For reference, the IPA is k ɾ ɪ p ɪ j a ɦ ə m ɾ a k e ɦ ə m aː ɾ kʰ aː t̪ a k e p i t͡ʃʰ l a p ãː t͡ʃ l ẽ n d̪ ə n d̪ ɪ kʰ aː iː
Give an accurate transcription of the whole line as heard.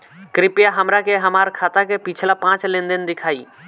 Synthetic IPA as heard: k ɾ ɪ p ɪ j a ɦ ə m ɾ a k e ɦ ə m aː ɾ kʰ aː t̪ a k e p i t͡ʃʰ l a p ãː t͡ʃ l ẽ n d̪ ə n d̪ ɪ kʰ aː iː